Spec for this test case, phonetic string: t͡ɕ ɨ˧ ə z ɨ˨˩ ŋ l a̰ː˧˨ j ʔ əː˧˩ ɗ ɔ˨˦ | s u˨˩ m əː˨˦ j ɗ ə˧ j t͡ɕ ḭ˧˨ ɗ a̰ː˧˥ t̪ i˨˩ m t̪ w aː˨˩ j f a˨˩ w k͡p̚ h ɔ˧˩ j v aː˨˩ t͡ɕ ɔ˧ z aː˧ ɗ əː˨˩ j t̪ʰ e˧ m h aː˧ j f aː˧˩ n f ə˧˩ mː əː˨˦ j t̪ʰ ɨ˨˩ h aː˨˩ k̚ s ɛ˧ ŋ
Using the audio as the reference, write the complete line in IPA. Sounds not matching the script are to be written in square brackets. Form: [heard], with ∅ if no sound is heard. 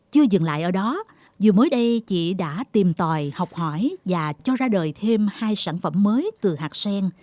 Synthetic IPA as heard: t͡ɕ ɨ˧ ə z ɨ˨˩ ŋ l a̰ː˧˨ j ʔ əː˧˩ ɗ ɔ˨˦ | [z] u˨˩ m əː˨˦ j ɗ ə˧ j t͡ɕ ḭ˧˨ ɗ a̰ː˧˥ t̪ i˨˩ m t̪ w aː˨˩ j [h] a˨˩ w k͡p̚ h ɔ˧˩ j v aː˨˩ t͡ɕ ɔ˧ z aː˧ ɗ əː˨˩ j t̪ʰ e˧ m h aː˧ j [s] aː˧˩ n f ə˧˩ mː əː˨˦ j [t̪] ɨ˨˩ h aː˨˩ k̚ s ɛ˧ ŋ